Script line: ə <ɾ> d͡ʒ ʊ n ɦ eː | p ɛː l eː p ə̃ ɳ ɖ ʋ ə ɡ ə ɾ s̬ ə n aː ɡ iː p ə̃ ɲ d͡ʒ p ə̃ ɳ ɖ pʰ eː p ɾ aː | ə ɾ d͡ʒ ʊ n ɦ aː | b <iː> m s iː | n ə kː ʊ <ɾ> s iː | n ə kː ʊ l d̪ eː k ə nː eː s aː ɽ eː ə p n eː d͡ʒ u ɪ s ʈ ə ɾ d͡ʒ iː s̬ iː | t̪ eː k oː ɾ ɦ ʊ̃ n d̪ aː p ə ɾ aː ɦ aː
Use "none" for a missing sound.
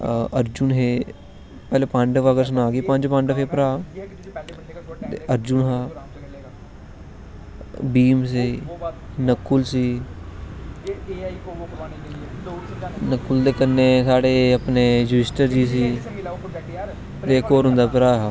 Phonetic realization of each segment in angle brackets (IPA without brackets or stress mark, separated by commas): ɾ, iː, l